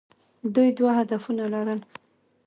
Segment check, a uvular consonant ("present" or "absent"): absent